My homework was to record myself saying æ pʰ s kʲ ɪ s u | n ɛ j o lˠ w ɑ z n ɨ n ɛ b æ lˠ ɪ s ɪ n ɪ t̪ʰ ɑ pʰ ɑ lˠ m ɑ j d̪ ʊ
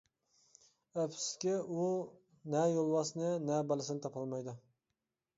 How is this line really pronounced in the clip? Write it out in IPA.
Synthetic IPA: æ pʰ s kʲ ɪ u | n ɛ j o lˠ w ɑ s n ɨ n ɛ b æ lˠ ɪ s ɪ n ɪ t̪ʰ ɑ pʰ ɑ lˠ m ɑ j d̪ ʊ